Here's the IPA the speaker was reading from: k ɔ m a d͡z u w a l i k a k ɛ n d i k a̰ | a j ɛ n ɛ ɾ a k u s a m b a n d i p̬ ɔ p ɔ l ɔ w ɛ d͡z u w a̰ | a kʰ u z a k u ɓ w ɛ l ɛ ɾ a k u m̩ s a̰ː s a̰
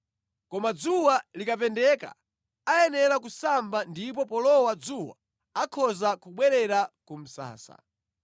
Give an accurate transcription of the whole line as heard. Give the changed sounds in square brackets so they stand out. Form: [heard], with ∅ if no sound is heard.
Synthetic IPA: k ɔ m a d͡z u w a l i k a [p] ɛ n d [ɛ] k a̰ | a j ɛ n ɛ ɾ a k u s a m b a n d i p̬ ɔ p ɔ l ɔ w [a] d͡z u w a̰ | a kʰ [ɔ] z a k u ɓ w ɛ [ɾ] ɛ ɾ a k u m̩ s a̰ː s a̰